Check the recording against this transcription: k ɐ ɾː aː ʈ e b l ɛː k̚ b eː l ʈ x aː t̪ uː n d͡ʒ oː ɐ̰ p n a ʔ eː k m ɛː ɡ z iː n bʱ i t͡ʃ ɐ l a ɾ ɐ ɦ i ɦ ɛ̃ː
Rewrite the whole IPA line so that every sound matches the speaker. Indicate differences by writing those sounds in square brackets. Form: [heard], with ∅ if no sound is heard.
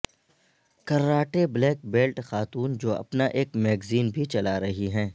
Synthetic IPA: k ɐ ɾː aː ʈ e b l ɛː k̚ b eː l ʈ x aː t̪ uː n d͡ʒ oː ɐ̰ p n a ʔ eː k m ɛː ɡ z iː n bʱ i t͡ʃ ɐ l a ɾ ɐ ɦ i ɦ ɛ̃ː